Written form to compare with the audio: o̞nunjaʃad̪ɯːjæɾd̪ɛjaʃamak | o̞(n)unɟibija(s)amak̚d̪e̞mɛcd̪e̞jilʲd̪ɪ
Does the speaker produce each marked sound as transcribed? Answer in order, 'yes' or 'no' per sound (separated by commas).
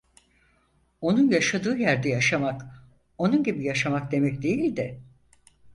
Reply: yes, no